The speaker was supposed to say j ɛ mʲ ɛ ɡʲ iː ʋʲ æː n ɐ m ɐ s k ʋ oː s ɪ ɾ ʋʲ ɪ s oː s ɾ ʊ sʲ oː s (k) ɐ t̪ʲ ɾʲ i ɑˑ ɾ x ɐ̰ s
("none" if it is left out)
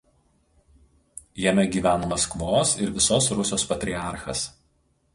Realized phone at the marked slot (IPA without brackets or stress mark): p